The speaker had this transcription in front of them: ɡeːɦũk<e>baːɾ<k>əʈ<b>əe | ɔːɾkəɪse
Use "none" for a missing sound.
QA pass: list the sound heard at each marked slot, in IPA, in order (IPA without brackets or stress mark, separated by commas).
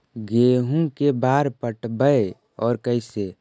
e, p, b